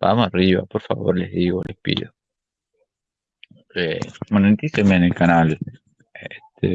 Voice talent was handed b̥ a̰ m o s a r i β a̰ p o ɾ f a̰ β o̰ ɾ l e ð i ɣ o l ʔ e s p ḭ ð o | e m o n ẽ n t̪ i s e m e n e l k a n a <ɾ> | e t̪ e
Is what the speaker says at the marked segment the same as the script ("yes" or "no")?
no